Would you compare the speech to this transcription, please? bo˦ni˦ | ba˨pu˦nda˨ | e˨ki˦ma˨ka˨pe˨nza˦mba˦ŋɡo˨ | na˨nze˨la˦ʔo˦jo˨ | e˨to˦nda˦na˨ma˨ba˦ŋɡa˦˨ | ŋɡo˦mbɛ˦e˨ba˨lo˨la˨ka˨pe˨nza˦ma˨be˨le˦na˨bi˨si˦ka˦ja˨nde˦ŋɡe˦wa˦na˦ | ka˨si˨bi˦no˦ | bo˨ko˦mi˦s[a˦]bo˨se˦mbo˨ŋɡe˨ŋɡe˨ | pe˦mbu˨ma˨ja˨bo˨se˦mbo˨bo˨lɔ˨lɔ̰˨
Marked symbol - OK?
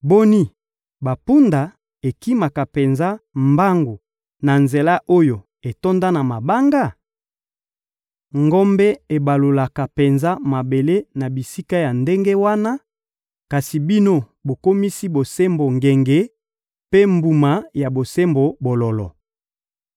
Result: no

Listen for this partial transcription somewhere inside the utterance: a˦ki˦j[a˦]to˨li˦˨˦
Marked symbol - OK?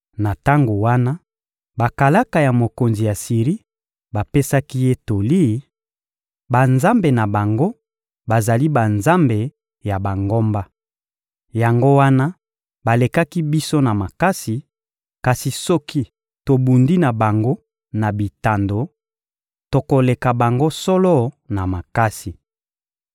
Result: no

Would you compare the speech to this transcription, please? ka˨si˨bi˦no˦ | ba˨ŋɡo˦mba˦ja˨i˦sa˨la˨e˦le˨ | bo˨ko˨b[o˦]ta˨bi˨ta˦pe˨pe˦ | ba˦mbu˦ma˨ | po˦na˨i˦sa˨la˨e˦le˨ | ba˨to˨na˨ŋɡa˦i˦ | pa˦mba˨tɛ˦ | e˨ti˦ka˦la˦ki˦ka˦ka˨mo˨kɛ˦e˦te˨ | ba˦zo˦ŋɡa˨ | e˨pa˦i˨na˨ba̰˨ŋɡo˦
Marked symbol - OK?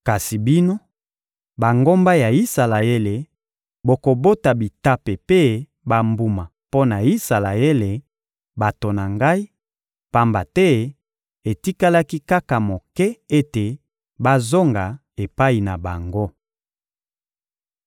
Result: yes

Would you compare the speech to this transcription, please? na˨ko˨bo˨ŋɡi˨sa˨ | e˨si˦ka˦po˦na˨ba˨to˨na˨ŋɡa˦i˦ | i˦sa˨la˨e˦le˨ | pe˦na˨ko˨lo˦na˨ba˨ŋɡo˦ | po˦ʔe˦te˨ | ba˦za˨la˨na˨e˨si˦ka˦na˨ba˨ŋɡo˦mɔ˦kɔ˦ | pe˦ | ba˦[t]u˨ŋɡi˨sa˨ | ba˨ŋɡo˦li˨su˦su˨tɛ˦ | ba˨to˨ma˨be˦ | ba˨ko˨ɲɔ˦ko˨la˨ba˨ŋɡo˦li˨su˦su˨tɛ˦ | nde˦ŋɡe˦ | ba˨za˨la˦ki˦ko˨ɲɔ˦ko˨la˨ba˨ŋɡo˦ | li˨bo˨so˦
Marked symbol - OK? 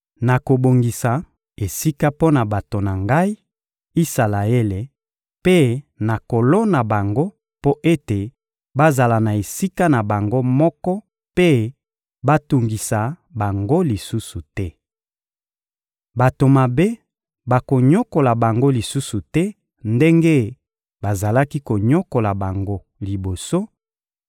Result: yes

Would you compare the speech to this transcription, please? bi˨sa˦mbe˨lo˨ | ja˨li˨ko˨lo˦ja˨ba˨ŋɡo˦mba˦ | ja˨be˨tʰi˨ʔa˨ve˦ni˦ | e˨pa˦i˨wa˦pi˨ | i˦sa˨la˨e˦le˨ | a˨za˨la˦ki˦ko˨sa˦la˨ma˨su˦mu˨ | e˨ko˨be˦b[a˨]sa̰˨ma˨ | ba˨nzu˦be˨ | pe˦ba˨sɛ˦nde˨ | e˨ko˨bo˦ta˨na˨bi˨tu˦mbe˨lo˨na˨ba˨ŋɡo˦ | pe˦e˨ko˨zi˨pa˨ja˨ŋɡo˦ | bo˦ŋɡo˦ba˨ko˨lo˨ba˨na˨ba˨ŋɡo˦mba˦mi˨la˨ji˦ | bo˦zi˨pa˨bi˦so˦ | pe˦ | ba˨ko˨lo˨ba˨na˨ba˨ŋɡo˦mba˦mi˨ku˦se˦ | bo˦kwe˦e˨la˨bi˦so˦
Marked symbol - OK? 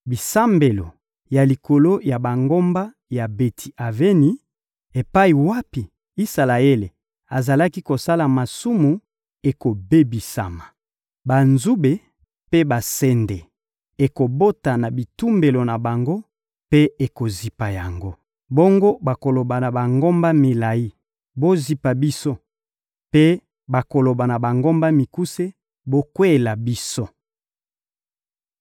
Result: no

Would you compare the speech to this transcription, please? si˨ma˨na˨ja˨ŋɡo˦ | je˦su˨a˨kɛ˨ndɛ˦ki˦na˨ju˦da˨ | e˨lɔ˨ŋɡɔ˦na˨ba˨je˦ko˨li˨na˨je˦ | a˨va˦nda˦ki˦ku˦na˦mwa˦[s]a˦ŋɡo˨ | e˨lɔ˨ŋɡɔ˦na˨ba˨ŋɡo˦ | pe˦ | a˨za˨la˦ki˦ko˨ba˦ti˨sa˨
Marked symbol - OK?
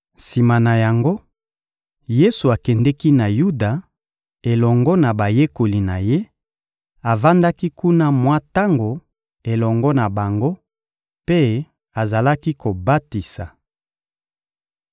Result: no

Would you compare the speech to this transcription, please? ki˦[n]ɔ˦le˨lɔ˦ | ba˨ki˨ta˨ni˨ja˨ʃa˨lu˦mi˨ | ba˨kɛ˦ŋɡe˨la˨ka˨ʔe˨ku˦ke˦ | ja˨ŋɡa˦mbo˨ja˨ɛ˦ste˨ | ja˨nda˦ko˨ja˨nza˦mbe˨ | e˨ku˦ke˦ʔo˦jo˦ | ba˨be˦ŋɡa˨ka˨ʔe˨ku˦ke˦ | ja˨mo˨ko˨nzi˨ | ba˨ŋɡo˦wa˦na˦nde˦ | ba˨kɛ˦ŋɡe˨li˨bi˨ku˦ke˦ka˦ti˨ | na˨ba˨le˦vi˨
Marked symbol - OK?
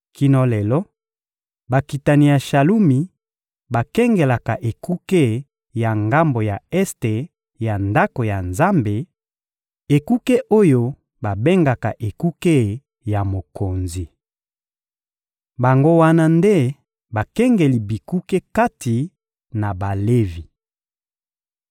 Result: yes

